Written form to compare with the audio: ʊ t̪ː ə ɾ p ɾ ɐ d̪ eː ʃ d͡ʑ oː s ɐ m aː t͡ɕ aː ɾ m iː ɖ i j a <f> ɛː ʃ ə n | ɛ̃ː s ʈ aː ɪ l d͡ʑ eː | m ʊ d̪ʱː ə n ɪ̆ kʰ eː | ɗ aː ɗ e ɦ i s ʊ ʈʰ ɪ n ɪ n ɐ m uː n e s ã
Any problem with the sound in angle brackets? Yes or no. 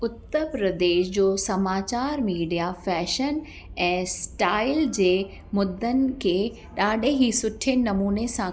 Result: no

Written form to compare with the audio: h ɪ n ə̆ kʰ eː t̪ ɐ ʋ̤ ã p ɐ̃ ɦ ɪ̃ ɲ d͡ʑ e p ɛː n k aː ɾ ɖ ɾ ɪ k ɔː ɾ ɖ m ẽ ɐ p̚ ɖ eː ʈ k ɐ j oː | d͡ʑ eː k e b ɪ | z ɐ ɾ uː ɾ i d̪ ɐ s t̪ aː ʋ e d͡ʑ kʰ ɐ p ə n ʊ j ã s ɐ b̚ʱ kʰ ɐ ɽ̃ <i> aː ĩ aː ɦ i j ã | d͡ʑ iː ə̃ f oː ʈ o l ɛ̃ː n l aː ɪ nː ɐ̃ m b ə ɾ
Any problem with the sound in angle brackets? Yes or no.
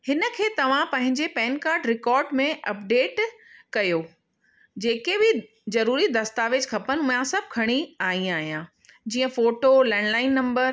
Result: no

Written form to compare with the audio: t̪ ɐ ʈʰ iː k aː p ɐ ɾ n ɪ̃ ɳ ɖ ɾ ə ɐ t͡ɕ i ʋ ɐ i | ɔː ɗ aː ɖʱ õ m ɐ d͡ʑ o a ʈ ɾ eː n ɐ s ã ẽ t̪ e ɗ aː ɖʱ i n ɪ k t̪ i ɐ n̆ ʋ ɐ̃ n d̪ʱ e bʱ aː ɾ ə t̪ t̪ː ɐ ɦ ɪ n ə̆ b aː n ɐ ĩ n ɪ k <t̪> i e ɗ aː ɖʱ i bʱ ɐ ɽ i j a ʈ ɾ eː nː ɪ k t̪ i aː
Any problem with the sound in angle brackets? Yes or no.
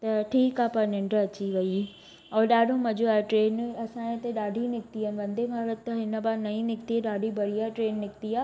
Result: no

